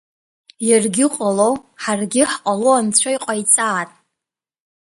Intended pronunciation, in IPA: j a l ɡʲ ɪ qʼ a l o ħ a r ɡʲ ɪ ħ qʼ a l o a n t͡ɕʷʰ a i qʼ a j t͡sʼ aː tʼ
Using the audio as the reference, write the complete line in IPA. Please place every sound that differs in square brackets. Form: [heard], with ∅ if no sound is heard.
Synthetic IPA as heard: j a [r] ɡʲ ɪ qʼ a l o ħ a r ɡʲ ɪ ħ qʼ a l o a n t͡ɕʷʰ a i qʼ a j t͡sʼ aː tʼ